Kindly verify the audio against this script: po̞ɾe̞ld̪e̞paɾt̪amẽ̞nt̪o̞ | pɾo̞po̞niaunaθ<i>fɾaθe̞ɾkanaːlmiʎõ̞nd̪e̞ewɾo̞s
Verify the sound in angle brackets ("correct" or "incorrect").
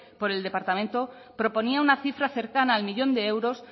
correct